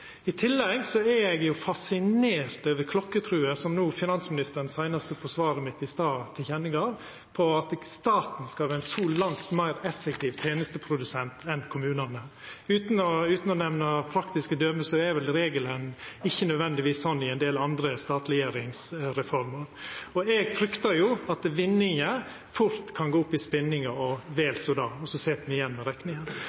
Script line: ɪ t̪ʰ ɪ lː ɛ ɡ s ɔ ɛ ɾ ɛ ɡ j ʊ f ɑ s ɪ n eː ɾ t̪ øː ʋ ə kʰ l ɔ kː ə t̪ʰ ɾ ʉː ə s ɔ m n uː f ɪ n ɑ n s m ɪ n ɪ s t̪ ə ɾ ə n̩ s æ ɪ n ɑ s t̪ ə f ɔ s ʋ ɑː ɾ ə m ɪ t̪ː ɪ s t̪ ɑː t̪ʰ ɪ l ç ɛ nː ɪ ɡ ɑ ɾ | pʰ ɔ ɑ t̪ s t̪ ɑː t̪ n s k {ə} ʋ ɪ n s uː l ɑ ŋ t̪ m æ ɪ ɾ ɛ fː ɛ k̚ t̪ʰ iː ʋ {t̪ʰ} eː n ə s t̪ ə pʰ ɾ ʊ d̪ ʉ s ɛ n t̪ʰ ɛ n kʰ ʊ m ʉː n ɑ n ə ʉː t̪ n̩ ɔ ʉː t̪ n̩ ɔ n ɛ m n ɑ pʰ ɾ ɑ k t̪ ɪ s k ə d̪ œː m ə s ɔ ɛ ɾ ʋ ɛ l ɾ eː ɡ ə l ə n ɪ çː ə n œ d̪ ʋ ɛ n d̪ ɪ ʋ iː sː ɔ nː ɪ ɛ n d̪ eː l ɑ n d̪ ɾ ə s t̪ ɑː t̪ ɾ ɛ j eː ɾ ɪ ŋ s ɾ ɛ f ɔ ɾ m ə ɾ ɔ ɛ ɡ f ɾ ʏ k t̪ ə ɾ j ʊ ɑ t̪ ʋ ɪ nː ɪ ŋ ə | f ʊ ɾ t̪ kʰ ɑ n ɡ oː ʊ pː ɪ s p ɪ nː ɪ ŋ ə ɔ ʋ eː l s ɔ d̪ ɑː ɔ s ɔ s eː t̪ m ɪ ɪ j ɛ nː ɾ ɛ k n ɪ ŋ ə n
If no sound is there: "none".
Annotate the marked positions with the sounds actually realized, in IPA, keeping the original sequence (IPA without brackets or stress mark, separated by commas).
ɑ, t̪ʰ